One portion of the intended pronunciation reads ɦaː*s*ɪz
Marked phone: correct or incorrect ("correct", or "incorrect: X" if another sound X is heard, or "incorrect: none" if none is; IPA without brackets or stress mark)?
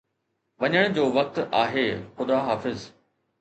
incorrect: f